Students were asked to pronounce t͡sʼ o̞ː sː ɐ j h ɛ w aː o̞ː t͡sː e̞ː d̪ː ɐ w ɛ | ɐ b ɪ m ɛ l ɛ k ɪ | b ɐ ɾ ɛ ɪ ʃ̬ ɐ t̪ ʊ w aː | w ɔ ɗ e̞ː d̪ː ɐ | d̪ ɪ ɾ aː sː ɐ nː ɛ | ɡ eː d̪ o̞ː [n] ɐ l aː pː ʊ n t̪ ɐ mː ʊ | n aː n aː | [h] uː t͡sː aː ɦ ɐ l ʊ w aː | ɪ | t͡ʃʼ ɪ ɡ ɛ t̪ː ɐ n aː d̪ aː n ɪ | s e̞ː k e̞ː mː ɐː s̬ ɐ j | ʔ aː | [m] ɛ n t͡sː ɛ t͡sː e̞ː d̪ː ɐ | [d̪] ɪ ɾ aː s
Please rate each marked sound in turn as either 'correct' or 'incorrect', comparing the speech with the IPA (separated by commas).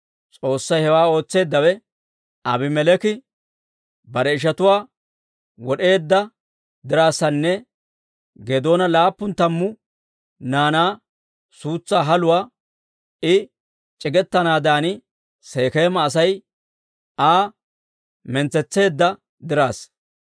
correct, incorrect, correct, correct